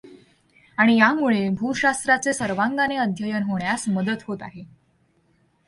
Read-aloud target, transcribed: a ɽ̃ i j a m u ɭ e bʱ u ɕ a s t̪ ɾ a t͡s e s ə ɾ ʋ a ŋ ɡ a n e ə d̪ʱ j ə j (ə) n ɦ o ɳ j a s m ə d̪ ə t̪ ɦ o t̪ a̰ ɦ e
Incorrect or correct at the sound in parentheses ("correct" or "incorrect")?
correct